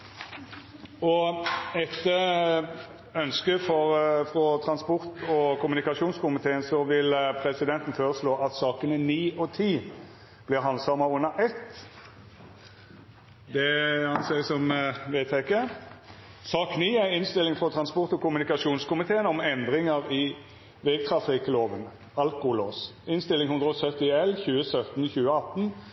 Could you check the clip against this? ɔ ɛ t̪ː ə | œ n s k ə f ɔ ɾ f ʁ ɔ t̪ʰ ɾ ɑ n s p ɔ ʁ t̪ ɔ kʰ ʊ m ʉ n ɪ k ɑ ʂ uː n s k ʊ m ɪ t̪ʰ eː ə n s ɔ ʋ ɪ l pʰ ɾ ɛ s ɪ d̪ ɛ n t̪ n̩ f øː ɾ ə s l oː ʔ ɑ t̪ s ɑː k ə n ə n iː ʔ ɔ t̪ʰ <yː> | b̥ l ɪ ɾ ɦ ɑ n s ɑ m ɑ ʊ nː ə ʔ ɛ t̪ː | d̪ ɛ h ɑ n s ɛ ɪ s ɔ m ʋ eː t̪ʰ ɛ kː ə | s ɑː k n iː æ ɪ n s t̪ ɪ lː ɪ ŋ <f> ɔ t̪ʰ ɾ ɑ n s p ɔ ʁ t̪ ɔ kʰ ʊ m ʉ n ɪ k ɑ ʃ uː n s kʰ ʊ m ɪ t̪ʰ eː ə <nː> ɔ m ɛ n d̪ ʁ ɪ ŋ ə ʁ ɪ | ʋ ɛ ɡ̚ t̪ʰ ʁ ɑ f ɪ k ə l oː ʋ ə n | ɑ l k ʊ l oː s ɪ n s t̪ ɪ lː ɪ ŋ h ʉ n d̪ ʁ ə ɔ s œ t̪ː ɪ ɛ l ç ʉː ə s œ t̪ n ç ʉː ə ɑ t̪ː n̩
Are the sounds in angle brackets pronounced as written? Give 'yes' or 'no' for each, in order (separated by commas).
no, yes, no